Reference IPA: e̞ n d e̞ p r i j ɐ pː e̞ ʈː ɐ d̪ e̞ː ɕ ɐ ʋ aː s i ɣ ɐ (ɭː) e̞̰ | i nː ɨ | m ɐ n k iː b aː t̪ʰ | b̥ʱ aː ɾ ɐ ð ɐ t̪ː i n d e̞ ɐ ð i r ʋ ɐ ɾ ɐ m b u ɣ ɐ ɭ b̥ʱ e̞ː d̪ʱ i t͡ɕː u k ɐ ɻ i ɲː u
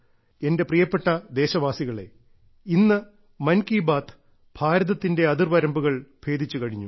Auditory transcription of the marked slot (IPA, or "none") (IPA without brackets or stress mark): ɭ